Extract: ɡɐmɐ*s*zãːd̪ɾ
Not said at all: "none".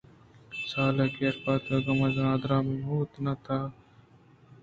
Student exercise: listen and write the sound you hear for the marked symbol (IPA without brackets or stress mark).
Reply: none